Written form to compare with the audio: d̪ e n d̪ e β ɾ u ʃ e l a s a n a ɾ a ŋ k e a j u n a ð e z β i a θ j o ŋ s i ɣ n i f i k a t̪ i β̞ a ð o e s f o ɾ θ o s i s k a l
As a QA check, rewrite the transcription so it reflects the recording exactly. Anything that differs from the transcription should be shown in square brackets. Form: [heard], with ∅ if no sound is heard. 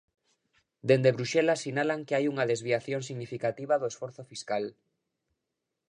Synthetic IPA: d̪ e n d̪ e β ɾ u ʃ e l a s [i] n a [l] a ŋ k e a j u [ŋ] a ð e z β i a θ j o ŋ s i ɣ n i f i k a t̪ i β̞ a ð o e s f o ɾ θ o [f] i s k a l